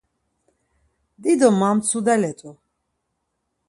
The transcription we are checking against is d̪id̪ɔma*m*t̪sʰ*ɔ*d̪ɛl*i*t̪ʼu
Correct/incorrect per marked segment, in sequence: correct, incorrect: u, incorrect: ɛ

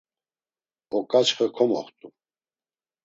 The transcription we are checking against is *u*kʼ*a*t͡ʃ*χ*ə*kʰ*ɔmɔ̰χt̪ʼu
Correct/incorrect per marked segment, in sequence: incorrect: ɔ, correct, correct, correct

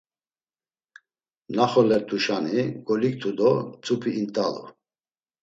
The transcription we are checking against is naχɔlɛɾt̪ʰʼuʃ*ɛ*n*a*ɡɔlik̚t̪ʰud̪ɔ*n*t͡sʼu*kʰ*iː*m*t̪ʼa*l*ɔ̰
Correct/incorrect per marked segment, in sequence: incorrect: a, incorrect: i, incorrect: none, incorrect: pʰ, incorrect: n, correct

